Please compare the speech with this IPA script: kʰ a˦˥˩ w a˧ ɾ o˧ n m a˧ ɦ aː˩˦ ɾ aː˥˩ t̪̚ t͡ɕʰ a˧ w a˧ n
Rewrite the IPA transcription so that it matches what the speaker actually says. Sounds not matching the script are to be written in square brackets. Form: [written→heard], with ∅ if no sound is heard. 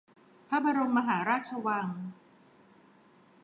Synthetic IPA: [kʰ→pʰ] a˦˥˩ [w→b] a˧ ɾ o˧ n m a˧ ɦ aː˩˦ ɾ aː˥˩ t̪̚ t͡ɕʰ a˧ w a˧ [n→ŋ]